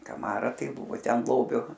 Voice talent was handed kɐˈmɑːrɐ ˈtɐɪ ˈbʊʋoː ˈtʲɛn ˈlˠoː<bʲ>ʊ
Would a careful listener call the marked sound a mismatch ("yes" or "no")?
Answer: no